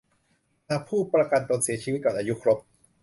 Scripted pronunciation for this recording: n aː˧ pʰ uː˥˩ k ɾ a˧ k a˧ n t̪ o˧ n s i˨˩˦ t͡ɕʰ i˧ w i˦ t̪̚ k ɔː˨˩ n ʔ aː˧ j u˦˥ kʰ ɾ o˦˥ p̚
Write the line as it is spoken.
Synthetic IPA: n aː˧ pʰ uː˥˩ p ɾ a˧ k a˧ n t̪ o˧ n s i˨˩˦ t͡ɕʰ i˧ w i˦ t̪̚ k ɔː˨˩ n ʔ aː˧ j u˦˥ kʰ ɾ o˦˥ p̚